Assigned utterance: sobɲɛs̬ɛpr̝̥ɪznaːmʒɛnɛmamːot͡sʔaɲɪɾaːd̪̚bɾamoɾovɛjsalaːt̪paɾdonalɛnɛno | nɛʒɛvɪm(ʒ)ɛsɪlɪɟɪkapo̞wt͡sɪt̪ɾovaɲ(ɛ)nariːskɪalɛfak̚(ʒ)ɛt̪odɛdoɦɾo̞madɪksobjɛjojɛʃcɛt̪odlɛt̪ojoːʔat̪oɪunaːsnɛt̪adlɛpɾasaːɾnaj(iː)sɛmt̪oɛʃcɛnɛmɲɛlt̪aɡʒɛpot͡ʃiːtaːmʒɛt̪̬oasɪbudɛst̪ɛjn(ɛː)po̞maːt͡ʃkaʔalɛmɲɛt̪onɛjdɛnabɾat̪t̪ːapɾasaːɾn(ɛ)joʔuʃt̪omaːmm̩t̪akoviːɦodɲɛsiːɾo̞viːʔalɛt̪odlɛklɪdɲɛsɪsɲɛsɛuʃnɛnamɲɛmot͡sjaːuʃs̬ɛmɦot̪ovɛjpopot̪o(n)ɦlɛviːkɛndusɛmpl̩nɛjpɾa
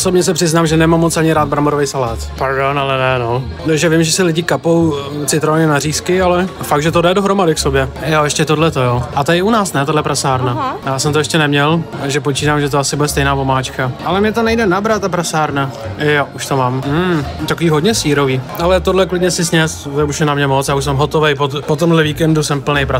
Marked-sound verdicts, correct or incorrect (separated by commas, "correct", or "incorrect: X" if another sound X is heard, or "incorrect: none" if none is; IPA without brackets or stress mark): correct, correct, correct, incorrect: aː, incorrect: aː, incorrect: a, incorrect: m